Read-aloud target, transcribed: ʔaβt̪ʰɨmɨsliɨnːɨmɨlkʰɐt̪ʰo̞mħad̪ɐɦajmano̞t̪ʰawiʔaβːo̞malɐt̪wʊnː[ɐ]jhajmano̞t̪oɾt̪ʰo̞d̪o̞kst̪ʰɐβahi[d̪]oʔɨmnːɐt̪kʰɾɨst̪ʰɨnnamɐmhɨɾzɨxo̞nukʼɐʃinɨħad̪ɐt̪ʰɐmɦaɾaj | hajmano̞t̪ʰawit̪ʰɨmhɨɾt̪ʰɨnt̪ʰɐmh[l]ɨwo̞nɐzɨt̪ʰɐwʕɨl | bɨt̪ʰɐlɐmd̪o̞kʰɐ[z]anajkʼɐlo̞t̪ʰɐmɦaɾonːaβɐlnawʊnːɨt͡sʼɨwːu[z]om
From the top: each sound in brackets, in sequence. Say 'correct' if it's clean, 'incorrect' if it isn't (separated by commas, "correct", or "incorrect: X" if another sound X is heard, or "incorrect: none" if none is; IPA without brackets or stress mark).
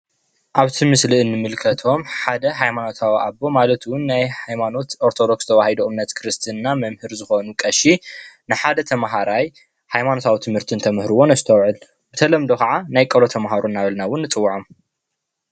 incorrect: a, correct, incorrect: ɾ, incorrect: ʕ, incorrect: ʕ